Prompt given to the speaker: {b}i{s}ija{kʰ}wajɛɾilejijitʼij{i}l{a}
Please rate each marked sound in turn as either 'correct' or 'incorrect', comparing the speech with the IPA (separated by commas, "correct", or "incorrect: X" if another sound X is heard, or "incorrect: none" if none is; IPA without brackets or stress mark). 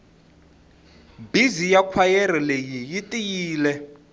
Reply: correct, incorrect: z, correct, incorrect: iː, incorrect: ɛ